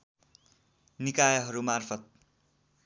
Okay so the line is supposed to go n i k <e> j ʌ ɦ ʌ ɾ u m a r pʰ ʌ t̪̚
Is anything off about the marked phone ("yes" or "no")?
yes